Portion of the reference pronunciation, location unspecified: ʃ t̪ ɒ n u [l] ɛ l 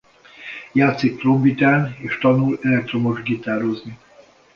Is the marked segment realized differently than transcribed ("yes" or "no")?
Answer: no